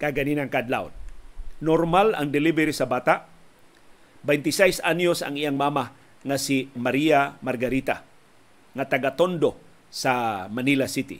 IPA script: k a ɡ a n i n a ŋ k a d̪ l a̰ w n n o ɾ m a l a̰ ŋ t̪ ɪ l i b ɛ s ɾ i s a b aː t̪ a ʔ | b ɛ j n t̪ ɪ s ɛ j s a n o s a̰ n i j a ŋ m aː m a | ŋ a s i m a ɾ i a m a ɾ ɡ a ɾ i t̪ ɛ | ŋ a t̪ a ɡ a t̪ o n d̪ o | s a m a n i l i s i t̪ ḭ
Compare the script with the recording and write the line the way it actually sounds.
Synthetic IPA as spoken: k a ɡ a n i n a ŋ k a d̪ l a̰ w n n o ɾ m a l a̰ ŋ d̪ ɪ l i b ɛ ɾ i s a b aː t̪ a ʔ | b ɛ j n t̪ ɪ s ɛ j s a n o s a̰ ŋ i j a ŋ m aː m a | ŋ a s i m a ɾ i a m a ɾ ɡ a ɾ i t̪ a | ŋ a t̪ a ɡ a t̪ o n d̪ o | s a m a n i l a s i t̪ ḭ